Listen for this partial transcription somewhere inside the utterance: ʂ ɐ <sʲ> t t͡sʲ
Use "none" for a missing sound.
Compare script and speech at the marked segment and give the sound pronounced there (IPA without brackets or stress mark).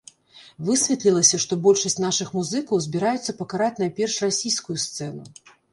sʲ